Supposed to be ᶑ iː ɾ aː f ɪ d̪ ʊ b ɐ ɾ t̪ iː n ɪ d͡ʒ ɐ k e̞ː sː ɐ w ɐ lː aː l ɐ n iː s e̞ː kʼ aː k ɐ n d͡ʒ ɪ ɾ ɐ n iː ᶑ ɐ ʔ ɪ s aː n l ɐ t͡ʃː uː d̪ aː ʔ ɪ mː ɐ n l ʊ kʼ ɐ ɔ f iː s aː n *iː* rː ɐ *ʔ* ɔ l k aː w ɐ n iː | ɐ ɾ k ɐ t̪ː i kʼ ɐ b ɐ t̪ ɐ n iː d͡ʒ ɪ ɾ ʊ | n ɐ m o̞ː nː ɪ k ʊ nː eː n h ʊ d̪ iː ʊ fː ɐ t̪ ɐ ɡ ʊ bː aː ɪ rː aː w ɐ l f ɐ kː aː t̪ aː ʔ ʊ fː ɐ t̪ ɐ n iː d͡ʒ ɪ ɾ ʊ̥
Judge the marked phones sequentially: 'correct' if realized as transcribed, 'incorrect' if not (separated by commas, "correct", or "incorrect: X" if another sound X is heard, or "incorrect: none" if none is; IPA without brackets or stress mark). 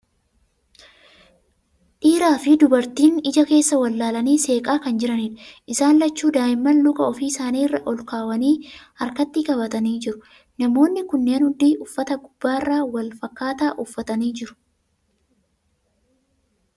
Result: correct, correct